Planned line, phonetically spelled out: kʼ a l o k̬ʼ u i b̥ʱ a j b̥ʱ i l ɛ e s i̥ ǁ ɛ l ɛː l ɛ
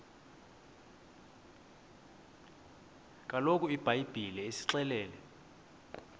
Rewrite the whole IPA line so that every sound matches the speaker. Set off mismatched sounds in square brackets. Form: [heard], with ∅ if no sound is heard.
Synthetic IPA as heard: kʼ a l o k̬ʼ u i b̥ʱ a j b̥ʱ i l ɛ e s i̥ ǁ ɛ l ɛː l ɛ

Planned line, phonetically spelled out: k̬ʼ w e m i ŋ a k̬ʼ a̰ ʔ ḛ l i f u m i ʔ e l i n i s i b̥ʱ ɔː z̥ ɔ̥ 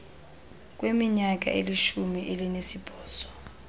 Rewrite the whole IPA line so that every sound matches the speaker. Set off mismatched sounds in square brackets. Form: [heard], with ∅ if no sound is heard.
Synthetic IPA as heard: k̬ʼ w e m i [ɲ] a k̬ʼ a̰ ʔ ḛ l i [ʃ] u m i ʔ e l i n [e] s i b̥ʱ ɔː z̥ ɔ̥

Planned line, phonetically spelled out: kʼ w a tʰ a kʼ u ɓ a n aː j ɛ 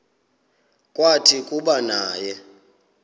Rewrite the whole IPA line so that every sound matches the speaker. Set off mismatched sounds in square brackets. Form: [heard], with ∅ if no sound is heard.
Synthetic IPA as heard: kʼ w a tʰ [i] kʼ u ɓ a n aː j ɛ

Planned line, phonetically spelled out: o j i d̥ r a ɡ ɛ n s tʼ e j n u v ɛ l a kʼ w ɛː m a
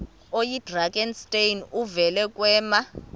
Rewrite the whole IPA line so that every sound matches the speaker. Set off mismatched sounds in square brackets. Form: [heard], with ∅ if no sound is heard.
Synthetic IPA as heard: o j i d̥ r a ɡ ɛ n s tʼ e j n u v ɛ l [ɛ] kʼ w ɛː m a

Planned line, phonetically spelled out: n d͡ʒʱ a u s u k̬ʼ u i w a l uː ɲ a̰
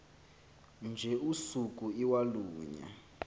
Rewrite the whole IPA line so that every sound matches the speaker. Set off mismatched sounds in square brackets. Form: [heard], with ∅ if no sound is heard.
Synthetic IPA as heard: n d͡ʒʱ [ɛ] u s u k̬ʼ u i w a l uː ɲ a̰

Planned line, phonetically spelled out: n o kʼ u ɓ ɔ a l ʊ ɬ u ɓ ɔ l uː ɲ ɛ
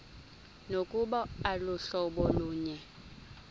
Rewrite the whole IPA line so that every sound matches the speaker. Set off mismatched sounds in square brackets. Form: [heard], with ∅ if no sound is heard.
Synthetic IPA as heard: n o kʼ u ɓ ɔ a l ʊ ɬ [ɔ] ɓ ɔ l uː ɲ ɛ

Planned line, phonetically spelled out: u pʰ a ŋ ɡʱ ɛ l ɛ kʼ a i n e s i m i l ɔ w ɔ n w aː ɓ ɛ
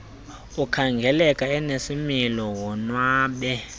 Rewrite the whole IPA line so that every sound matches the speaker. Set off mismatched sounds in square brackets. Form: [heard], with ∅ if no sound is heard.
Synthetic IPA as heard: u [kʰ] a ŋ ɡʱ ɛ l ɛ kʼ a [ɛ] n e s i m i l ɔ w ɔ n w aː ɓ ɛ

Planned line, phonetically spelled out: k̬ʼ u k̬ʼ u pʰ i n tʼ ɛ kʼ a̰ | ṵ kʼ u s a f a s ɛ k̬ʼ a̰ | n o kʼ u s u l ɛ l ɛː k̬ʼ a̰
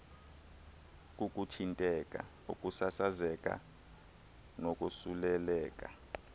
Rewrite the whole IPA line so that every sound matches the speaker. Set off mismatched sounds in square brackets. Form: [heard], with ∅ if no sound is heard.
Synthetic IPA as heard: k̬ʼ u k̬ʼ u [tʰ] i n tʼ ɛ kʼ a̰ | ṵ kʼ u s a [s] a [z] ɛ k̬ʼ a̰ | n o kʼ u s u l ɛ l ɛː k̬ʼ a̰

